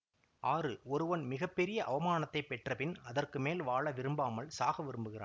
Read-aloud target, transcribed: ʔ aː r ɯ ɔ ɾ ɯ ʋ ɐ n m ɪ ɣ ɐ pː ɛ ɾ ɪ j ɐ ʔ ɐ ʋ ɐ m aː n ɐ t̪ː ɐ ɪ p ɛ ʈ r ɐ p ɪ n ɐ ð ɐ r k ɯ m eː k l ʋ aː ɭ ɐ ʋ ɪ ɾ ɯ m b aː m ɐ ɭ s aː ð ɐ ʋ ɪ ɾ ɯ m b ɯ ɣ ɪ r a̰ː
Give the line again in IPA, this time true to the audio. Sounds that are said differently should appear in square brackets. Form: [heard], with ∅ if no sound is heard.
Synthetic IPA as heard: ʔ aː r ɯ ɔ ɾ ɯ ʋ ɐ n m ɪ ɣ ɐ pː ɛ ɾ ɪ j ɐ ʔ ɐ ʋ ɐ m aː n ɐ t̪ː ɐ ɪ p ɛ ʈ r ɐ p ɪ n ɐ ð ɐ r k ɯ m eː [∅] l ʋ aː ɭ ɐ ʋ ɪ ɾ ɯ m b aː m ɐ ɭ s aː [ɣ] ɐ ʋ ɪ ɾ ɯ m b ɯ ɣ ɪ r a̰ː

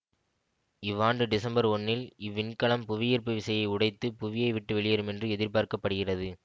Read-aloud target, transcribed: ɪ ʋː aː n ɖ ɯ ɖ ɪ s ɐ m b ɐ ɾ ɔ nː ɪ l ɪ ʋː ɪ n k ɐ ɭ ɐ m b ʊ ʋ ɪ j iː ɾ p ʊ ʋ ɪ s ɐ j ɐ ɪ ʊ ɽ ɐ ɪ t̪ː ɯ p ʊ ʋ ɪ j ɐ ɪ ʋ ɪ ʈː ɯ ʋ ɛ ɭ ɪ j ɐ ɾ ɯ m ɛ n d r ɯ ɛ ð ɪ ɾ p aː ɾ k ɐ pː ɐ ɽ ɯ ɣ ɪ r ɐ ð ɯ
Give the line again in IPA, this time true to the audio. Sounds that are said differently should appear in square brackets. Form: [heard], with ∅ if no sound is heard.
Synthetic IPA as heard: ɪ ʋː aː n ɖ ɯ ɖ ɪ s ɐ m b ɐ ɾ ɔ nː ɪ l ɪ ʋː ɪ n k ɐ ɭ ɐ m [p] ʊ ʋ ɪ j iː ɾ p [ɯ] ʋ ɪ s ɐ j ɐ ɪ ʊ ɽ ɐ ɪ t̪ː ɯ p ʊ ʋ ɪ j ɐ ɪ ʋ ɪ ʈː ɯ ʋ ɛ ɭ ɪ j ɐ ɾ ɯ m ɛ n d r ɯ ɛ ð ɪ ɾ p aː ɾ k ɐ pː ɐ ɽ ɯ ɣ ɪ r ɐ ð ɯ

